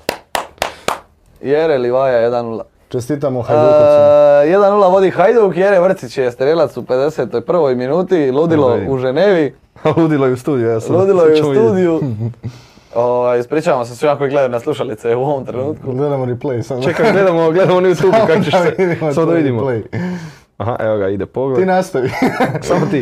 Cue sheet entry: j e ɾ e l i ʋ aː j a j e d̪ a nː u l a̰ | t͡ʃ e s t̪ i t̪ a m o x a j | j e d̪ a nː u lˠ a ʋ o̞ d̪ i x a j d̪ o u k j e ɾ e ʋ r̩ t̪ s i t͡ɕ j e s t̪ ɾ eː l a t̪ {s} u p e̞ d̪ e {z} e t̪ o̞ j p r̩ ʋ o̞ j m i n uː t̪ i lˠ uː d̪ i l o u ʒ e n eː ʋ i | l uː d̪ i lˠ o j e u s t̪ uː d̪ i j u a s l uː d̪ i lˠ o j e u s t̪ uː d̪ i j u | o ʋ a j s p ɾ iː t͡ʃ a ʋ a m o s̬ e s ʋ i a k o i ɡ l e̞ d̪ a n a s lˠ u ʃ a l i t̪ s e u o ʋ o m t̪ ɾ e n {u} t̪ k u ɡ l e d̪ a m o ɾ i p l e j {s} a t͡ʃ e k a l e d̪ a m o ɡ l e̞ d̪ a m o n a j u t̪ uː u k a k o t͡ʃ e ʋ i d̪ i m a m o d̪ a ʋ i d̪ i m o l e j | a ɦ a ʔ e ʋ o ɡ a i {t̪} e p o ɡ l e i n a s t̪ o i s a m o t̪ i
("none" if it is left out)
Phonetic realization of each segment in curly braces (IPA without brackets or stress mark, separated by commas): s, s, uː, s, d̪